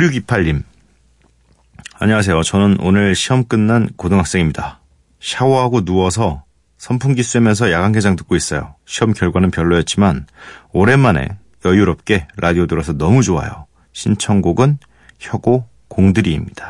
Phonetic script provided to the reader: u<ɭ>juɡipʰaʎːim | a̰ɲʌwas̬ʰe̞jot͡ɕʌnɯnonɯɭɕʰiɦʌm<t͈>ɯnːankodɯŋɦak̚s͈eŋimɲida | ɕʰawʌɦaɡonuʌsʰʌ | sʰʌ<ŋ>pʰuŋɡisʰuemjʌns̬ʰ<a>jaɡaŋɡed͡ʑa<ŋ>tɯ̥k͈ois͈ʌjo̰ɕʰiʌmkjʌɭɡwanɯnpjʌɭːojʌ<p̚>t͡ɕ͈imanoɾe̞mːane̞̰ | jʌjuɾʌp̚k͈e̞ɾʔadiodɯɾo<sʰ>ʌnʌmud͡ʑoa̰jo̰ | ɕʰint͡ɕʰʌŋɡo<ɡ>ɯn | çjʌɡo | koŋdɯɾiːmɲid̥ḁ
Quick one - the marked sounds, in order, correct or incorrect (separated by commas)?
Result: incorrect, incorrect, incorrect, incorrect, correct, incorrect, correct, correct